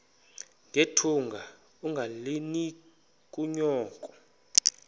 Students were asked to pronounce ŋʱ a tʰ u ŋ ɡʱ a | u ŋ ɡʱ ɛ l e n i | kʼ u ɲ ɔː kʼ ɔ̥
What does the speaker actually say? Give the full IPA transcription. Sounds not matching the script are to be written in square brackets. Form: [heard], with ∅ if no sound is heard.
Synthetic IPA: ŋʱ [e] tʰ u ŋ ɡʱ a | u ŋ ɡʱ [a] l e n i | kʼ u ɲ ɔː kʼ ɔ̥